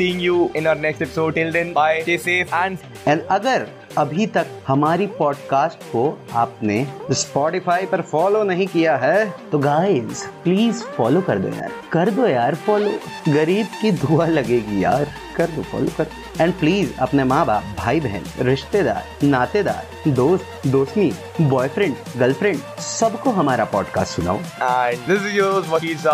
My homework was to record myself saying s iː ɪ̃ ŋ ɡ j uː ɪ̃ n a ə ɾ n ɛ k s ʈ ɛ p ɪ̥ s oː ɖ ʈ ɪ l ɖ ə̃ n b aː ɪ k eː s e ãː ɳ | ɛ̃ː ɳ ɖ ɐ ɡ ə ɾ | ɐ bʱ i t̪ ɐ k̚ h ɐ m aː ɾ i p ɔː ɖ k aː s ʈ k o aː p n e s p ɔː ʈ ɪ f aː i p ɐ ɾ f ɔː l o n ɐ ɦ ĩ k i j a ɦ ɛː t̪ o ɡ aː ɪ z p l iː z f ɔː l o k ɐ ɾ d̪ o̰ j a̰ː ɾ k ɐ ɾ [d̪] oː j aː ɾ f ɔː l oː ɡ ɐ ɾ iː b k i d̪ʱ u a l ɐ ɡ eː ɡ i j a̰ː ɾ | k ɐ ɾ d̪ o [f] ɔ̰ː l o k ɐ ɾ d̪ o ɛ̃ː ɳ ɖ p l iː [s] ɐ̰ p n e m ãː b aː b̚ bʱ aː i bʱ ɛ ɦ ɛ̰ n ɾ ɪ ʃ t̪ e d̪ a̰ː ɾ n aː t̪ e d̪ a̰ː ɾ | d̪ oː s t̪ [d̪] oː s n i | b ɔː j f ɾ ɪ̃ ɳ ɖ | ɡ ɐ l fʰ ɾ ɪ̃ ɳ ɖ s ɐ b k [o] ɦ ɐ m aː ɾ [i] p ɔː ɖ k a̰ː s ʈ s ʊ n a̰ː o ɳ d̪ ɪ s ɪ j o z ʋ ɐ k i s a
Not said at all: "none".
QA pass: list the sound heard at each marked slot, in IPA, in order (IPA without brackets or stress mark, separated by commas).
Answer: d̪, f, z, d̪, o, a